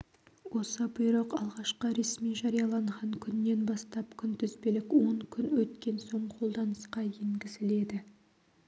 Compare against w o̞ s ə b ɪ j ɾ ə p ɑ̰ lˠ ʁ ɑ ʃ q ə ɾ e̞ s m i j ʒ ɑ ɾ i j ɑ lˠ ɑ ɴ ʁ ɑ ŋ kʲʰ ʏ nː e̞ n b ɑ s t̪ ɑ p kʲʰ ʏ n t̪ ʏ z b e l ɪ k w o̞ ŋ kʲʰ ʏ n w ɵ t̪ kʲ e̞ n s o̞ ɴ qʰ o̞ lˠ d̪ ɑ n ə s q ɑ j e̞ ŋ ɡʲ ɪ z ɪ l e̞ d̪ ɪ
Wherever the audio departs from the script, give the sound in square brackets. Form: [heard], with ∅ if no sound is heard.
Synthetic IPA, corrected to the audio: w o̞ s ə b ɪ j ɾ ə [q] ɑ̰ lˠ ʁ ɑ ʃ q ə ɾ e̞ s m i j ʒ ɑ ɾ i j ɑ lˠ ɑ ɴ ʁ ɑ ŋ kʲʰ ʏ nː e̞ n b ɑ s t̪ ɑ p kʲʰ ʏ n t̪ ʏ z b e l ɪ k w o̞ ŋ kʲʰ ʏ n w ɵ t̪ kʲ e̞ n s o̞ ɴ qʰ o̞ lˠ d̪ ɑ n ə s q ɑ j e̞ ŋ ɡʲ ɪ z ɪ l e̞ d̪ ɪ